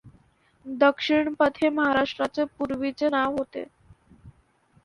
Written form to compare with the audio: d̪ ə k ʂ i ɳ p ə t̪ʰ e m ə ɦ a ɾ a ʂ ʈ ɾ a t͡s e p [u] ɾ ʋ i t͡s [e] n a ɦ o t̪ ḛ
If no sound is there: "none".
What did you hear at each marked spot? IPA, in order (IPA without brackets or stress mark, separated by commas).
u, e